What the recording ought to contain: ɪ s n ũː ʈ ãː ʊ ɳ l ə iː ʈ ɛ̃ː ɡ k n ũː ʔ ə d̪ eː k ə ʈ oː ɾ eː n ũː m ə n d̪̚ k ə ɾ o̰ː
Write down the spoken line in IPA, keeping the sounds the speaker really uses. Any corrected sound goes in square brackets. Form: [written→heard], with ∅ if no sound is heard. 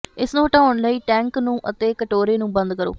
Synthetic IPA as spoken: ɪ s n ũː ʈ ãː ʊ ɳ l ə iː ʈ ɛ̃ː [ɡ→ŋ] k n ũː ʔ ə [d̪→t̪] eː k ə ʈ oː ɾ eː n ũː [m→b] ə n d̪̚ k ə ɾ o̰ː